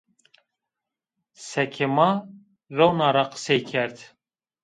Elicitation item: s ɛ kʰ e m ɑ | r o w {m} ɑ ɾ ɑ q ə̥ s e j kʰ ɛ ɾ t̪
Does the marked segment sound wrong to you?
yes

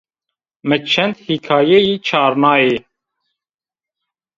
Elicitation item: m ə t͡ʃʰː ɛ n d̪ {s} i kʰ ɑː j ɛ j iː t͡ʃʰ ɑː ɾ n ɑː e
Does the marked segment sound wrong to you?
yes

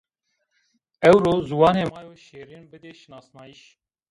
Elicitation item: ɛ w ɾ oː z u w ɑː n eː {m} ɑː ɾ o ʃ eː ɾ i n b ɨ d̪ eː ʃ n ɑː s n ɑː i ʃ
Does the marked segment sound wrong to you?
no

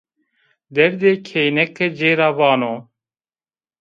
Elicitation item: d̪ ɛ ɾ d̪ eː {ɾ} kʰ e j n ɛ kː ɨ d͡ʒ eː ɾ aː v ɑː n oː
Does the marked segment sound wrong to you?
yes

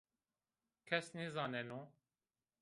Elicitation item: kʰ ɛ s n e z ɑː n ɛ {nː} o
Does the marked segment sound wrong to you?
yes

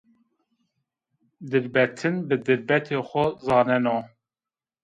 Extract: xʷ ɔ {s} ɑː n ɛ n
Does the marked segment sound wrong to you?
yes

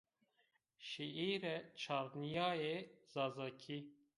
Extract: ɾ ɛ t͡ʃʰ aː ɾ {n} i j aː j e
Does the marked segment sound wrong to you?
no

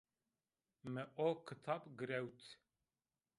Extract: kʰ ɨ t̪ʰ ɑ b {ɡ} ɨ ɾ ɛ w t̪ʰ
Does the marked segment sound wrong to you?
no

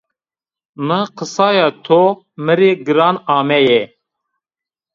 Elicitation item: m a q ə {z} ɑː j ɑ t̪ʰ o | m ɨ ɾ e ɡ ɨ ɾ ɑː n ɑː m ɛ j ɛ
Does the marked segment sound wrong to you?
yes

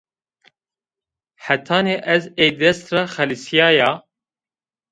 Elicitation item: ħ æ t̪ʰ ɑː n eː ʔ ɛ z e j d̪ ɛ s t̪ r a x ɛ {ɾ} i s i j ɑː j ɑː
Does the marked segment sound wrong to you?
yes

